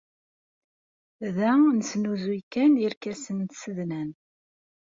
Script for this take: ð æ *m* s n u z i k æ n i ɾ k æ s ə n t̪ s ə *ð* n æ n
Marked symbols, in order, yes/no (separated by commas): no, yes